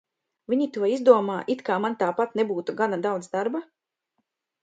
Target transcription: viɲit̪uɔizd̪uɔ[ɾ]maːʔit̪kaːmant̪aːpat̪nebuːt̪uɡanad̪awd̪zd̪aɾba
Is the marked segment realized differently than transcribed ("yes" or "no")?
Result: yes